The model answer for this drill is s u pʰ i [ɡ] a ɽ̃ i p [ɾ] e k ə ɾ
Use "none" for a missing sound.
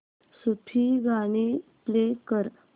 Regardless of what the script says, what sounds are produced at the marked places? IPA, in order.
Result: ɡ, l

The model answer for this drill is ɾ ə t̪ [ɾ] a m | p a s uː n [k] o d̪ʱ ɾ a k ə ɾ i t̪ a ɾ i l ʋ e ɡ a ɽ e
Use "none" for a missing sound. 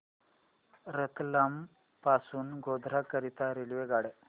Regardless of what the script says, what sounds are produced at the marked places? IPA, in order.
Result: l, ɡ

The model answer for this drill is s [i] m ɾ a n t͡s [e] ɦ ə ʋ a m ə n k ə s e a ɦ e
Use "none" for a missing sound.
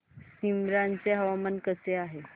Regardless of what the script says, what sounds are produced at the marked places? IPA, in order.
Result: i, e

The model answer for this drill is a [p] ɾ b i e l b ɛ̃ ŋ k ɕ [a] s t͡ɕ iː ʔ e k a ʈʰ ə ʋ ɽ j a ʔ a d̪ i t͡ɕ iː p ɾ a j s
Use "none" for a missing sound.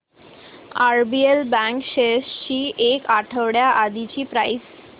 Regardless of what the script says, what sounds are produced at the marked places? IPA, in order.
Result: none, e

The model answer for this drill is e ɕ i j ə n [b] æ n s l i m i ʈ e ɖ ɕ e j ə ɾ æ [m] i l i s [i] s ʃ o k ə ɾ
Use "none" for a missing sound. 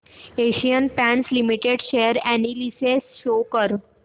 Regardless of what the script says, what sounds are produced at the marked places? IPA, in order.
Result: p, n, e

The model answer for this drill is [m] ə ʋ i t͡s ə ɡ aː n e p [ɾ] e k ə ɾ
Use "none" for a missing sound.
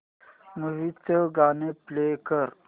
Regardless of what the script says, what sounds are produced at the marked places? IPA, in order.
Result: m, l

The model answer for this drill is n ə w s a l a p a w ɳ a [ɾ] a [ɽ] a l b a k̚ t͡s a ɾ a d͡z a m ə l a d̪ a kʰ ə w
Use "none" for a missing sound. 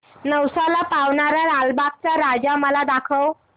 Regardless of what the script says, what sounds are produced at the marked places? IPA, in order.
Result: ɾ, ɾ

